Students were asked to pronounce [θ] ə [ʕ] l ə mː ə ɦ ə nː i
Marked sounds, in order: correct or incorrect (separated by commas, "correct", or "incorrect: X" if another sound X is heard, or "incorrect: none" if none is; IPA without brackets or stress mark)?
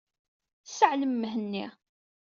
incorrect: s, correct